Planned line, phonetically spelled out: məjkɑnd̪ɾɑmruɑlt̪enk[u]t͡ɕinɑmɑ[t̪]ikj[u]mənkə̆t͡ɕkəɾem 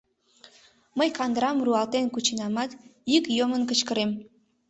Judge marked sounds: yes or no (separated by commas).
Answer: yes, yes, no